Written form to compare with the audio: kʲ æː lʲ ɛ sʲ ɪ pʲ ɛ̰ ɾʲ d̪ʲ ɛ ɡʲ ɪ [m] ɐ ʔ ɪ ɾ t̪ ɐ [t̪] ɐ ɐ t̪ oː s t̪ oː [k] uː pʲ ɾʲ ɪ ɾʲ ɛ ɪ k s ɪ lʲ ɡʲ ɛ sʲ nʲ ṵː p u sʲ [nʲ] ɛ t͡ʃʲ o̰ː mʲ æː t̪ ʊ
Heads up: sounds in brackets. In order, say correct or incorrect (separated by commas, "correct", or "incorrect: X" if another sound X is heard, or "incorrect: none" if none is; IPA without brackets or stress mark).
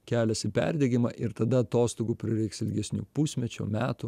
correct, incorrect: d̪, incorrect: ɡ, incorrect: mʲ